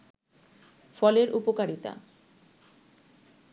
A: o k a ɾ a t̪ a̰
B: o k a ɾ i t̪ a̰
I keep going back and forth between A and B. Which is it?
B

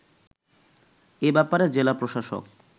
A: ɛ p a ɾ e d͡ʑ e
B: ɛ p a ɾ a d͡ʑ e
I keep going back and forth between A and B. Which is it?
A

